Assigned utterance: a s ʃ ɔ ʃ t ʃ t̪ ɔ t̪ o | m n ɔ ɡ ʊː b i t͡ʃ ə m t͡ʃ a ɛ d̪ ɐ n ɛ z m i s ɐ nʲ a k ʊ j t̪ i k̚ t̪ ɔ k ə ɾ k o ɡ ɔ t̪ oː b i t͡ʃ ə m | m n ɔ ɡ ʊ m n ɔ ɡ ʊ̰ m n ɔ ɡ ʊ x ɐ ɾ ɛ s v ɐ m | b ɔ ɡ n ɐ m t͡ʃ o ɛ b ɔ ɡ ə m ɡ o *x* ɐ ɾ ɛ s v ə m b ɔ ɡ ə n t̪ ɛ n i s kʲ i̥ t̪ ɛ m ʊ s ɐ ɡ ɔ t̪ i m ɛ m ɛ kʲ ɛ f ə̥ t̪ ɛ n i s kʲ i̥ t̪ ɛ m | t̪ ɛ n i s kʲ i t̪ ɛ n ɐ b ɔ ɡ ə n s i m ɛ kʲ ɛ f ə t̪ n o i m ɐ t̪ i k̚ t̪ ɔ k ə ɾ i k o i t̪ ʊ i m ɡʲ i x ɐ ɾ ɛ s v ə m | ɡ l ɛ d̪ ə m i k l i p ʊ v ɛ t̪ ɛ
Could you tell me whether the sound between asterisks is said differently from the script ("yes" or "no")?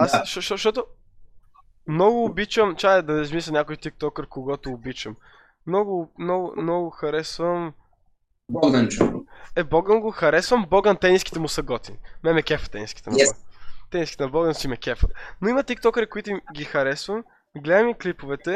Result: no